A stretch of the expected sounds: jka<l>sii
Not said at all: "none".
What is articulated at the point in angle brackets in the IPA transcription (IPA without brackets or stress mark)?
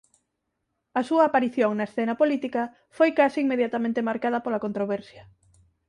none